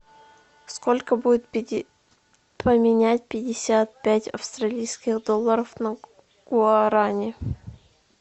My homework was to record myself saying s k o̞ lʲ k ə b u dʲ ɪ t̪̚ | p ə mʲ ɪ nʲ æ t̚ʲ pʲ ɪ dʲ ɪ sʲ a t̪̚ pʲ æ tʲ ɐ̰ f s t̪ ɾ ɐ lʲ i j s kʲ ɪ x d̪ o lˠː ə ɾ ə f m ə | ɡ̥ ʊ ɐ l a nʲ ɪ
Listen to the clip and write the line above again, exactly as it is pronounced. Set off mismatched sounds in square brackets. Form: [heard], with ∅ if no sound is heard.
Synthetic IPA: s k o̞ lʲ k ə b u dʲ ɪ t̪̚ | p ə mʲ ɪ nʲ æ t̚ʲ pʲ ɪ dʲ ɪ sʲ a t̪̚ pʲ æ tʲ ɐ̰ f s t̪ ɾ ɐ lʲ i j s kʲ ɪ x d̪ o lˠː ə ɾ ə f [n] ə | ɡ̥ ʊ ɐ [ɾ] a nʲ ɪ